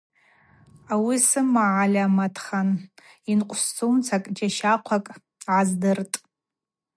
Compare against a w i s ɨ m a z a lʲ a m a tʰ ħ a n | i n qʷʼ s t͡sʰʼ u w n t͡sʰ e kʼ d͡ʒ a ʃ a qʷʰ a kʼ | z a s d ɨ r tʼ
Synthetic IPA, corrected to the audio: a w i s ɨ m a ʕ a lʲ a m a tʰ χ a n | i n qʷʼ s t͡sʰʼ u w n t͡sʰ a kʼ d͡ʒ a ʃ a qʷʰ a kʼ | ʕ a z d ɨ r tʼ